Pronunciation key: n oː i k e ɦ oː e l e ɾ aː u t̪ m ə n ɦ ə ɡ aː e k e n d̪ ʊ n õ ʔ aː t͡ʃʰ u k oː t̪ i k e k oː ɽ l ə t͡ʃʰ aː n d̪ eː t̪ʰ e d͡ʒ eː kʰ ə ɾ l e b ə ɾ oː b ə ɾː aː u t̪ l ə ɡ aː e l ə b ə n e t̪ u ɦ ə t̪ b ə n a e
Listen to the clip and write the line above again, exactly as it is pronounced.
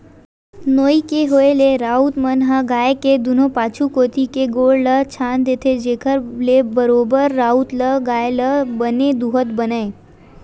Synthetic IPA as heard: n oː i k e ɦ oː e l e ɾ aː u t̪ m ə n ɦ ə ɡ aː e k e d̪ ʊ n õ p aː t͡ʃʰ u k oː t̪ i k e ɡ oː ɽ l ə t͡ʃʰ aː n d̪ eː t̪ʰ e d͡ʒ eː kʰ ə ɾ l e b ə ɾ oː b ə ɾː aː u t̪ l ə ɡ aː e l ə b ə n e d̪ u ɦ ə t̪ b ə n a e